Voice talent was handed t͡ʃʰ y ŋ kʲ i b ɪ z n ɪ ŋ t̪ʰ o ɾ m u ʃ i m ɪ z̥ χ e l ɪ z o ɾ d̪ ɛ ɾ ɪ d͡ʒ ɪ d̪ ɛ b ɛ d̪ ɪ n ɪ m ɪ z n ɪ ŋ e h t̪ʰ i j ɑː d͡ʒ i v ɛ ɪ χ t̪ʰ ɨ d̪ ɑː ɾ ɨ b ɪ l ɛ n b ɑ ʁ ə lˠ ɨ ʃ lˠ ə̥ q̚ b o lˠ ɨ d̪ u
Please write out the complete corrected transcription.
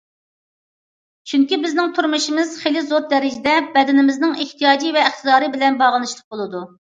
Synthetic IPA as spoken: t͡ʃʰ y ŋ kʲ i b ɪ z n ɪ ŋ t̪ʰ u ɾ m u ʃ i m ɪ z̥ χ e l ɪ z o ɾ d̪ ɛ ɾ ɪ d͡ʒ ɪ d̪ ɛ b ɛ d̪ ɪ n ɪ m ɪ z n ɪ ŋ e h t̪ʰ i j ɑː d͡ʒ i v ɛ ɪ χ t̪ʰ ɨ d̪ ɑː ɾ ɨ b ɪ l ɛ n b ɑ ʁ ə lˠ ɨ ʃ lˠ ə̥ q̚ b o lˠ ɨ d̪ u